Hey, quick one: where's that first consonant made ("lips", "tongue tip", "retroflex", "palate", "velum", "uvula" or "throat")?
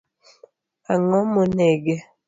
velum